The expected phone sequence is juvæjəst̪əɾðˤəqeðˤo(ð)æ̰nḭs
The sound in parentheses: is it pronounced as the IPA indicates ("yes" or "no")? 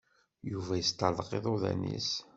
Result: yes